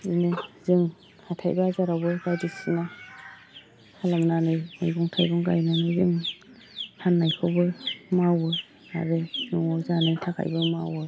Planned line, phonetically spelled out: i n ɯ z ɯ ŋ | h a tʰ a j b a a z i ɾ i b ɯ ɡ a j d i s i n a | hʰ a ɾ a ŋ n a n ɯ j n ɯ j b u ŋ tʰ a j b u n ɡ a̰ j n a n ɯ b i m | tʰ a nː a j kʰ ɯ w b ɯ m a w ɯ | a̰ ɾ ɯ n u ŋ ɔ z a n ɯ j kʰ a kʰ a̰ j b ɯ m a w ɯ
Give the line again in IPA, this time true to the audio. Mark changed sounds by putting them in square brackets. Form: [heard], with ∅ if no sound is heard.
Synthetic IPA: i n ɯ z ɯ ŋ | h a tʰ a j b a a z [a] ɾ [a] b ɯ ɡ a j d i s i n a | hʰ a [l] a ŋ n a n ɯ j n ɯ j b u ŋ tʰ a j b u [ŋ] ɡ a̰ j n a n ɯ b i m | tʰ a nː a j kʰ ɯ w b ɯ m a w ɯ | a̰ ɾ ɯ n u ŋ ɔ z a n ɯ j [tʰ] a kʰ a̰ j b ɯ m a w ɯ